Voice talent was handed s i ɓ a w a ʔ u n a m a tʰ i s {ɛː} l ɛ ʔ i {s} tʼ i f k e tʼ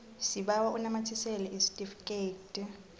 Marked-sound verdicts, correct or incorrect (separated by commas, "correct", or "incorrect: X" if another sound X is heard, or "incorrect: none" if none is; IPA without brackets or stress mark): incorrect: ɛ, correct